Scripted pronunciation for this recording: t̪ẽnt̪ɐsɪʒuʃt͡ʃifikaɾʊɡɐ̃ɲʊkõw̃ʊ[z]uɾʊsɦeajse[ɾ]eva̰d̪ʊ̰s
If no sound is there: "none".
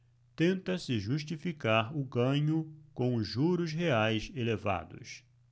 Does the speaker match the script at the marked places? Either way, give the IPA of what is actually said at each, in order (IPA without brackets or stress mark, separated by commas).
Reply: ʒ, l